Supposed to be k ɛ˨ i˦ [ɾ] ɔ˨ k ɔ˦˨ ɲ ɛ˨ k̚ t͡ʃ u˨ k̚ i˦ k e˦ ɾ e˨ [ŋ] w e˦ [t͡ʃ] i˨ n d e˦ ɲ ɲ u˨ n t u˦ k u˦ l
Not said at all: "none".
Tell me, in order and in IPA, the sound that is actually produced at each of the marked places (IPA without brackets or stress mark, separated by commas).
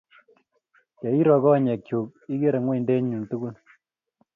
ɾ, ŋ, none